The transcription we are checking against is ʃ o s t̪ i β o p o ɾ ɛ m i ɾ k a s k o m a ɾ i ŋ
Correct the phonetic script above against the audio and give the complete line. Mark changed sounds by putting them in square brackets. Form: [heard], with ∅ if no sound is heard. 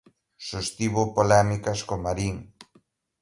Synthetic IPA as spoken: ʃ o s t̪ i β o p o [l] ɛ m i [∅] k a s k o m a ɾ i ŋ

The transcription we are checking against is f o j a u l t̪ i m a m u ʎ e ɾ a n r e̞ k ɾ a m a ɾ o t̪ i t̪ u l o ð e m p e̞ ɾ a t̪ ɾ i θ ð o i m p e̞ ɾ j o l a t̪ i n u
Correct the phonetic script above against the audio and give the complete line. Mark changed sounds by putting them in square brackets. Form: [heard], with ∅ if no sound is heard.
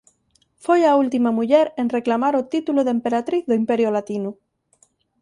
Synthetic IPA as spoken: f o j a u l t̪ i m a m u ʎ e ɾ [e] n r e̞ k [l] a m a ɾ o t̪ i t̪ u l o ð e m p e̞ ɾ a t̪ ɾ i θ ð o i m p e̞ ɾ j o l a t̪ i n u

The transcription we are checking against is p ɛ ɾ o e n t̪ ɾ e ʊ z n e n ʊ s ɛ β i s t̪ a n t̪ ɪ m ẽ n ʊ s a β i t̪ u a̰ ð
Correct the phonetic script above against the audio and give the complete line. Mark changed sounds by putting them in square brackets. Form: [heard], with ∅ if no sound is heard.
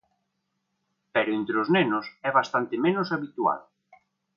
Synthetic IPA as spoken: p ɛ ɾ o e n t̪ ɾ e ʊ z n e n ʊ s ɛ β [a] s t̪ a n t̪ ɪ m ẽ n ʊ s a β i t̪ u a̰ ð

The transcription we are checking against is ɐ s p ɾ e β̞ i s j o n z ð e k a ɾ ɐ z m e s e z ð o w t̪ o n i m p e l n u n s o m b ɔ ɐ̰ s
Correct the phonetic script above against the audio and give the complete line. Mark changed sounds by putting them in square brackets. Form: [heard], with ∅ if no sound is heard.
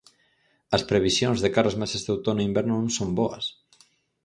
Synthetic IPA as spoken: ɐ s p ɾ e β̞ i s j o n z ð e k a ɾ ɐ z m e s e z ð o w t̪ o n i m [b] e [ɾ] n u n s o m b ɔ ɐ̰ s

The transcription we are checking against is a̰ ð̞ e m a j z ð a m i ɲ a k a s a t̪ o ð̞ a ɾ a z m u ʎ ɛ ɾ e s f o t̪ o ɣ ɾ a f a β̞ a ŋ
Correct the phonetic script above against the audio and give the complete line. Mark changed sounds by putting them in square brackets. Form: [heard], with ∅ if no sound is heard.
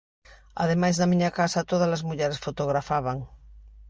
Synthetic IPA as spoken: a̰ ð̞ e m a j z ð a m i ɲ a k a s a t̪ o ð̞ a [l] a z m u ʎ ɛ ɾ e s f o t̪ o ɣ ɾ a f a β̞ a ŋ

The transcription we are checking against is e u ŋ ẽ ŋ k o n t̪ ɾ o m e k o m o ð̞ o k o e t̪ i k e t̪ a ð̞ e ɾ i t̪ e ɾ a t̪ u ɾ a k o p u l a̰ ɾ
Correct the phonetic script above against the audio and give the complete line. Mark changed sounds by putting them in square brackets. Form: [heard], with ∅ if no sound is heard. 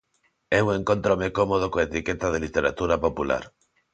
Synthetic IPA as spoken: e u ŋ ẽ ŋ k o n t̪ ɾ o m e k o m o ð̞ o k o e t̪ i k e t̪ a ð̞ e [l] i t̪ e ɾ a t̪ u ɾ a [p] o p u l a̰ ɾ

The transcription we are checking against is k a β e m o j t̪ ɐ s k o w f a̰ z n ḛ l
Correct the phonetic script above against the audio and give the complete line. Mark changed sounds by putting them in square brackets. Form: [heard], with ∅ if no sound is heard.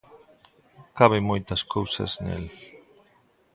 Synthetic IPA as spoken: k a β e m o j t̪ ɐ s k o w [s] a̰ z n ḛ l

